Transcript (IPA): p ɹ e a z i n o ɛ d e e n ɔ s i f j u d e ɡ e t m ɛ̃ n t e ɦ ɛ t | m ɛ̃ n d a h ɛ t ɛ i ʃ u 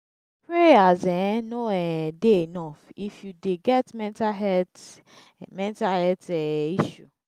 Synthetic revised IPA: p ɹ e a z ɛ n o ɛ d e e n ɔ f i f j u d e ɡ ɛ t m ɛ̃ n t a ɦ ɛ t | m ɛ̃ n t a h ɛ t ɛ i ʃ u

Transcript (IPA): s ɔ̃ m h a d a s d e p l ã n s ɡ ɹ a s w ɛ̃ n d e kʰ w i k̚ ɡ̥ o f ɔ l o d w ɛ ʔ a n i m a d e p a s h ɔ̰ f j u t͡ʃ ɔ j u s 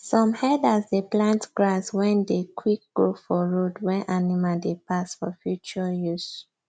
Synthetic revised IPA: s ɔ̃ m h ɛ d a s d e p l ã n t ɡ ɹ a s w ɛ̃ n d e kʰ w i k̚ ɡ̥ o f ɔ ɹ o d w ɛ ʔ a n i m a d e p a s f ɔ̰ f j u t͡ʃ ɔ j u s

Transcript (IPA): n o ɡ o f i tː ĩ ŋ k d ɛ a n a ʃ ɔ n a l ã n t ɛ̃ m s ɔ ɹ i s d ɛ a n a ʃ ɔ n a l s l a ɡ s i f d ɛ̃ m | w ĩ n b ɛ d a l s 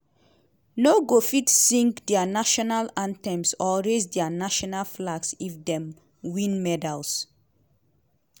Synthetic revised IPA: n o ɡ o f i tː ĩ ŋ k d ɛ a n a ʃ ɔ n a l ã n t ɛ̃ m s ɔ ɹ e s d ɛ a n a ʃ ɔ n a l f l a ɡ s i f d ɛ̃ m | w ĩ n m ɛ d a l s

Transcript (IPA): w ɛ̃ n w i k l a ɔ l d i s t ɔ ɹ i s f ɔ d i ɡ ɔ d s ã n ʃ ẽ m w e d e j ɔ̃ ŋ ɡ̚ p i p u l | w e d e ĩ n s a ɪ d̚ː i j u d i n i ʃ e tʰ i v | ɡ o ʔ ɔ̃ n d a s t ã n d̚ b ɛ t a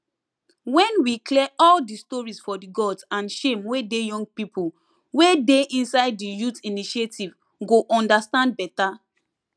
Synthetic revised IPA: w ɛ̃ n w i k l ɛ ɔ l d i s t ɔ ɹ i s f ɔ d i ɡ ɔ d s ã n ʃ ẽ m w e d e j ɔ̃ ŋ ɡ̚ p i p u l | w e d e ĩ n s a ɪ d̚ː i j u t i n i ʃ e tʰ i v | ɡ o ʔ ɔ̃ n d a s t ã n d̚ b ɛ t a

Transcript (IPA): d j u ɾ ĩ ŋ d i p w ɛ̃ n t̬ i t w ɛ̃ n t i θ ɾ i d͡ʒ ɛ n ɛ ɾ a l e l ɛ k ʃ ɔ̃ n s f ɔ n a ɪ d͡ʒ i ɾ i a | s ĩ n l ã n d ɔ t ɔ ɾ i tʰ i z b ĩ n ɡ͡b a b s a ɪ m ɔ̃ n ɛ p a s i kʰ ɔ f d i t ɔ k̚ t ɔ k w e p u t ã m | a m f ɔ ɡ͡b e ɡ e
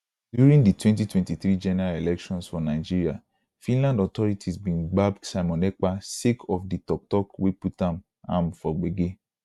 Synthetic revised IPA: d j u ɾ ĩ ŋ d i t w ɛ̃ n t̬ i t w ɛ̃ n t i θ ɾ i d͡ʒ ɛ n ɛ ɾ a l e l ɛ k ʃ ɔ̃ n s f ɔ n a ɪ d͡ʒ i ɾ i a | f ĩ n l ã n d ɔ t ɔ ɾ i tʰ i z b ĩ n ɡ͡b a b s a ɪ m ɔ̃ n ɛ k͡p a s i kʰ ɔ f d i t ɔ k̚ t ɔ k w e p u t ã m | a m f ɔ ɡ͡b e ɡ e

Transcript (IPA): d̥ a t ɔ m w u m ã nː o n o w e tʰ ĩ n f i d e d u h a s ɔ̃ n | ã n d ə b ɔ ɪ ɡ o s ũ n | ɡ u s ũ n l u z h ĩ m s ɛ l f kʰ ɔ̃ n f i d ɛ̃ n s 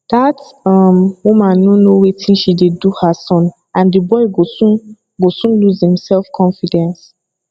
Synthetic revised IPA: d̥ a t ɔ m w u m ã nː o n o w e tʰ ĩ n ʃ i d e d u h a s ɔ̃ n | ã n d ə b ɔ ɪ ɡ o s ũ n | ɡ o s ũ n l u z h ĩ m s ɛ l f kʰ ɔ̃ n f i d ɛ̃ n s

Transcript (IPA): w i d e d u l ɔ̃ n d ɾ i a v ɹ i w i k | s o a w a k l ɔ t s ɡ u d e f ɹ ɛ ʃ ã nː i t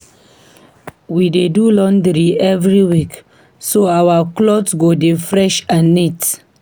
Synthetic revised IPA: w i d e d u l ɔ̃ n d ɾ i ɛ v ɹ i w i k | s o a w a k l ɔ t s ɡ o d e f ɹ ɛ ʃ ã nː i t

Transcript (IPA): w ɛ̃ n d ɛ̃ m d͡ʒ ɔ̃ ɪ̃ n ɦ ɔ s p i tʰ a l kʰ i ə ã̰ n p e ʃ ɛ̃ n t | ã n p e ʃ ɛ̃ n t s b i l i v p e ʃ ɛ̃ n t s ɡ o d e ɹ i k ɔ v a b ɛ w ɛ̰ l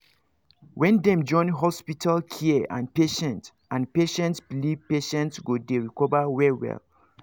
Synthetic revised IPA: w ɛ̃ n d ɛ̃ m d͡ʒ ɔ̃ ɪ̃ n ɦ ɔ s p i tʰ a l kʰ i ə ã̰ n p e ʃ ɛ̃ n t | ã n p e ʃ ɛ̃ n t s b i l i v p e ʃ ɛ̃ n t s ɡ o d e ɹ i k ɔ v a w ɛ w ɛ̰ l

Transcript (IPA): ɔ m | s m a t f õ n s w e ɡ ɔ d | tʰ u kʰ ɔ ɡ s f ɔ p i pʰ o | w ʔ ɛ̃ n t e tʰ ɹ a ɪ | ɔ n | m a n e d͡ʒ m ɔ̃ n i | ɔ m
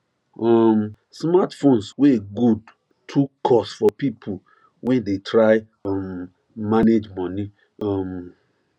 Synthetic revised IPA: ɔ m | s m a t f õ n s w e ɡ u d | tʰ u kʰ ɔ s f ɔ p i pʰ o | w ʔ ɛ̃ n d e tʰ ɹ a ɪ | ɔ m | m a n e d͡ʒ m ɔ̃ n i | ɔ m

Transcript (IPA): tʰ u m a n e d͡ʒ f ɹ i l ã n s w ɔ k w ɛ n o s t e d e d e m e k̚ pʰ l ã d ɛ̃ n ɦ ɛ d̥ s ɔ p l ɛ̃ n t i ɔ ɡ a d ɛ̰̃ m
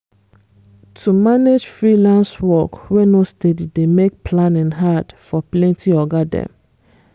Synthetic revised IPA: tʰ u m a n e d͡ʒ f ɹ i l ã n s w ɔ k w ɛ n o s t e d i d e m e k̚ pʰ l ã n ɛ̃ n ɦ a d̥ f ɔ p l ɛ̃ n t i ɔ ɡ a d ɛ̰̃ m

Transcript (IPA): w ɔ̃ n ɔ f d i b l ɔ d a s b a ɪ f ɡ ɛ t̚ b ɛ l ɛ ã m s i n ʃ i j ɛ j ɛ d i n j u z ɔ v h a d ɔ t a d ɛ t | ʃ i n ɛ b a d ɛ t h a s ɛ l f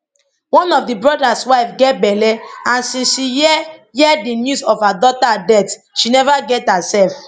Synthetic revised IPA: w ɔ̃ n ɔ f d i b ɹ ɔ d a s w a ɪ f ɡ ɛ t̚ b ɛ l ɛ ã n s ĩ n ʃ i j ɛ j ɛ d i n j u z ɔ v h a d ɔ t a d ɛ t | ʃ i n ɛ v a ɡ ɛ t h a s ɛ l f

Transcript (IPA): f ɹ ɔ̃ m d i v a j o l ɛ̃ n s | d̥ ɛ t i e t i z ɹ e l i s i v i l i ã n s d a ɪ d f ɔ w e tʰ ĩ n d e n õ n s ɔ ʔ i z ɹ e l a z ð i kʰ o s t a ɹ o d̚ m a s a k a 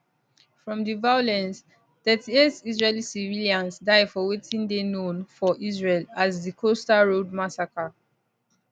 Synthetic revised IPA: f ɹ ɔ̃ m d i v a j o l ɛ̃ n s | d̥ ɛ t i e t i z ɹ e l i s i v i l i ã n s d a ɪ d f ɔ w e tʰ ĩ n d e n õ n f ɔ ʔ i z ɹ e l a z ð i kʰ o s t a ɹ o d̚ m a s a k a

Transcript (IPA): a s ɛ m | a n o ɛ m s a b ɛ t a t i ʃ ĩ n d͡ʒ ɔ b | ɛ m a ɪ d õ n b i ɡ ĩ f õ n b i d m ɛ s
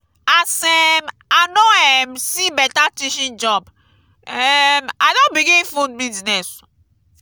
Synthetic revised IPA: a s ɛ m | a n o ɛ m s i b ɛ t a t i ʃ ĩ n d͡ʒ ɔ b | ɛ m a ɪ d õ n b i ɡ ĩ f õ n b i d n ɛ s

